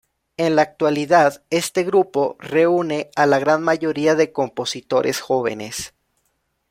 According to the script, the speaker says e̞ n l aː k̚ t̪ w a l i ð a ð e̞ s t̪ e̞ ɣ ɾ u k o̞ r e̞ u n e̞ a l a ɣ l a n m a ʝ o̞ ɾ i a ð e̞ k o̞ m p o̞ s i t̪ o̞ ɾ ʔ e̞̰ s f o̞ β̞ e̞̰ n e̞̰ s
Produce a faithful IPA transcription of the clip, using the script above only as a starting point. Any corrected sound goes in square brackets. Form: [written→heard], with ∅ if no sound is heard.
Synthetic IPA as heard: e̞ n l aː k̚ t̪ w a l i ð a ð e̞ s t̪ e̞ ɣ ɾ u [k→p] o̞ r e̞ u n e̞ a l a ɣ [l→ɾ] a n m a ʝ o̞ ɾ i a ð e̞ k o̞ m p o̞ s i t̪ o̞ ɾ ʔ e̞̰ s [f→x] o̞ β̞ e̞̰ n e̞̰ s